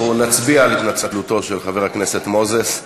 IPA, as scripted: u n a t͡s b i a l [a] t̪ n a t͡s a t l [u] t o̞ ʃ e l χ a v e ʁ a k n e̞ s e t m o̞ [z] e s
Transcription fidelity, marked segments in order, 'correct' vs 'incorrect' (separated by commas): incorrect, correct, correct